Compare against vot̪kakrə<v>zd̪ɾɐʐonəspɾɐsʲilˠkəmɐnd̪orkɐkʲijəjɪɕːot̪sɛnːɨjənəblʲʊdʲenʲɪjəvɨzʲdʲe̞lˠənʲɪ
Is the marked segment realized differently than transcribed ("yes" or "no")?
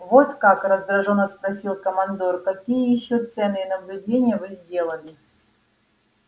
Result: yes